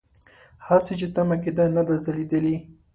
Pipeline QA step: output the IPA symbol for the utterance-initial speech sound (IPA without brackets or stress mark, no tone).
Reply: h